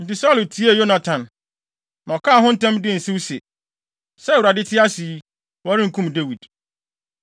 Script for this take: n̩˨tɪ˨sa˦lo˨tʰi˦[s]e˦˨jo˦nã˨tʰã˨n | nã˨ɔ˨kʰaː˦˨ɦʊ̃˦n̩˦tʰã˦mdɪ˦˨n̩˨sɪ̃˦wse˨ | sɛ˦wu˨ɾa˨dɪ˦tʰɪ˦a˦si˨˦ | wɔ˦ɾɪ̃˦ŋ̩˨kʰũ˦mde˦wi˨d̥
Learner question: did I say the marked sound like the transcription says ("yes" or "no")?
no